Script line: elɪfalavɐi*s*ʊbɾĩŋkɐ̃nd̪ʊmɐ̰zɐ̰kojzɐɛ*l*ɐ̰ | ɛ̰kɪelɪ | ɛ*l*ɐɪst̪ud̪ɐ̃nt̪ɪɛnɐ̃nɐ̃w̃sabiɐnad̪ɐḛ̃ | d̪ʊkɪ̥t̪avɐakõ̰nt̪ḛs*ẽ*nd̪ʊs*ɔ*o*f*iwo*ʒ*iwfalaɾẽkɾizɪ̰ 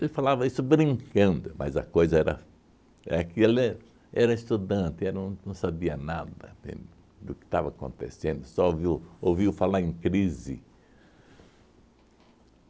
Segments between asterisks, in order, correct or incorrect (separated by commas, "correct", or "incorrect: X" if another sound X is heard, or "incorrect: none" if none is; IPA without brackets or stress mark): correct, incorrect: ɾ, incorrect: ɾ, correct, correct, incorrect: v, incorrect: v